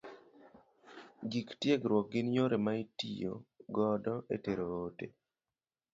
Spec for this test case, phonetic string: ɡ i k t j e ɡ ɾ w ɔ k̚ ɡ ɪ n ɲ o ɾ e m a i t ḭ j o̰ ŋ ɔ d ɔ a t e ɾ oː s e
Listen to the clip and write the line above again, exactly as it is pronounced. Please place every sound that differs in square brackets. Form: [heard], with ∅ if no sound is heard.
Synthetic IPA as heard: ɡ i k t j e ɡ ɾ w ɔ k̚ ɡ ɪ n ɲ o ɾ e m a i t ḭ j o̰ [ɡ] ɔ d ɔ [e] t e ɾ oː [t] e